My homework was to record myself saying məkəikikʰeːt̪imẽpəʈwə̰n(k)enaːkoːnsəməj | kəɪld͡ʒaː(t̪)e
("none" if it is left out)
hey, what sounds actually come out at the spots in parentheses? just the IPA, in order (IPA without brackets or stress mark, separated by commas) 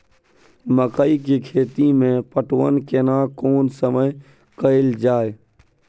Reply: k, none